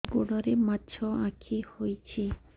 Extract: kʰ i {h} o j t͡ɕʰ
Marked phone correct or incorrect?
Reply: correct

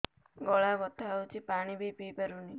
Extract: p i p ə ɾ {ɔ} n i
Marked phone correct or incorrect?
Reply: incorrect: u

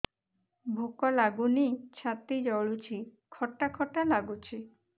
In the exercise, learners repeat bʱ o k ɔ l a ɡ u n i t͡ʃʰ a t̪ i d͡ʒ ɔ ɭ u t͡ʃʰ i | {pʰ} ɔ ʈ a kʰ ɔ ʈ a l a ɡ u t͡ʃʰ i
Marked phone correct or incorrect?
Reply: incorrect: kʰ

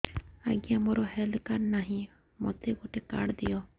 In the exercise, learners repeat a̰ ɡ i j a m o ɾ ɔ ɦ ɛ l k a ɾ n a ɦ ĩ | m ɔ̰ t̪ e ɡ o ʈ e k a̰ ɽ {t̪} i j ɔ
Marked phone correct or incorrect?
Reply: incorrect: d̪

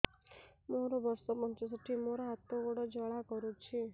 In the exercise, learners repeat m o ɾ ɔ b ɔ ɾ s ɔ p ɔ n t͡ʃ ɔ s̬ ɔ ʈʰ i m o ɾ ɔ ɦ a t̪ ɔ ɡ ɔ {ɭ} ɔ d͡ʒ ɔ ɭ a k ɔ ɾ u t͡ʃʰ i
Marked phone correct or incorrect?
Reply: incorrect: ɽ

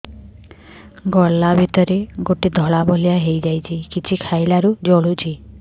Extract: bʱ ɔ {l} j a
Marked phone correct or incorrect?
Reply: correct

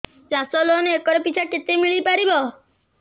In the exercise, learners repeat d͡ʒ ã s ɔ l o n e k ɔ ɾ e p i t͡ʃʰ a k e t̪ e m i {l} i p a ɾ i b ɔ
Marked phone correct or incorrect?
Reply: incorrect: ɭ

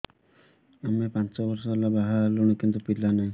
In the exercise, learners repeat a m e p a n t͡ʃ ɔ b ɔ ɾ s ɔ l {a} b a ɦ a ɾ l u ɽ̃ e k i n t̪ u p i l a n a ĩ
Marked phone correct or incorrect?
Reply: correct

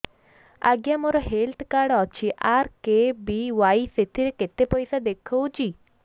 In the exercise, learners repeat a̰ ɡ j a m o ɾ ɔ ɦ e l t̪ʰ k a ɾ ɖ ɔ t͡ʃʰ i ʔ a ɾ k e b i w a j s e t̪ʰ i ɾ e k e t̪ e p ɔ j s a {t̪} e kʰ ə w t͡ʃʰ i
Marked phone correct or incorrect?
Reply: incorrect: d̪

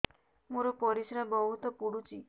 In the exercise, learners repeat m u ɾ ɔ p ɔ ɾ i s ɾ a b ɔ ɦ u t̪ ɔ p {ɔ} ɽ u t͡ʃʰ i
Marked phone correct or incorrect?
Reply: incorrect: u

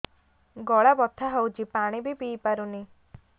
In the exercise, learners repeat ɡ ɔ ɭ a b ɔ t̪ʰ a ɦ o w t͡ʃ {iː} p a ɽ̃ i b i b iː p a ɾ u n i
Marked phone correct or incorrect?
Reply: incorrect: i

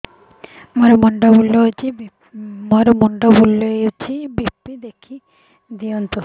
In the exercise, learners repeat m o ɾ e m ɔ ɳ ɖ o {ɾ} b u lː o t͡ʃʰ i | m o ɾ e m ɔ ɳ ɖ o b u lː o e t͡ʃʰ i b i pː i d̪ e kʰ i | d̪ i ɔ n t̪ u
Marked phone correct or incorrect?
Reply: incorrect: none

